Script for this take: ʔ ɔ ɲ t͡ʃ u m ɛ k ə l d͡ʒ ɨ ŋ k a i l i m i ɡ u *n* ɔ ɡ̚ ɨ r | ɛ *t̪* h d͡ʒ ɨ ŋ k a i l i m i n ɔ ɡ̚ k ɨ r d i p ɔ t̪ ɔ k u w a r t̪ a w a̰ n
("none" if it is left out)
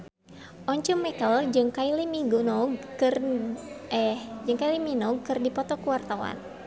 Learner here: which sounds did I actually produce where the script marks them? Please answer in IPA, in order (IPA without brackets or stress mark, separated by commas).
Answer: n, none